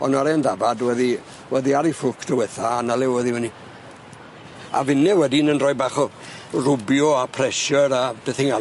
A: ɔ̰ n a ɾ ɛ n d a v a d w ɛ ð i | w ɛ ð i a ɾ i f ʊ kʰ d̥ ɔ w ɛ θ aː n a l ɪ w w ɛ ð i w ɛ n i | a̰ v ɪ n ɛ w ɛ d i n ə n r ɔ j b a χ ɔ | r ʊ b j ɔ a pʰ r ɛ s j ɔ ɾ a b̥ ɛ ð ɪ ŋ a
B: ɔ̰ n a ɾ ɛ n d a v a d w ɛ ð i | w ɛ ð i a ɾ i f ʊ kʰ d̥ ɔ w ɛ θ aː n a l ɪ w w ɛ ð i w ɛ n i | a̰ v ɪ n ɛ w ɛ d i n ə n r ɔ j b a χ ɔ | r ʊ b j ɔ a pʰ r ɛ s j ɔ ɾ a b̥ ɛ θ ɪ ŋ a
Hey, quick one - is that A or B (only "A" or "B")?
B